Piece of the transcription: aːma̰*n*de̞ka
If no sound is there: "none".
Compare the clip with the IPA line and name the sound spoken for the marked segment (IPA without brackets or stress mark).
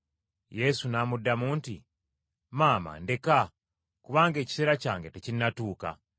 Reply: n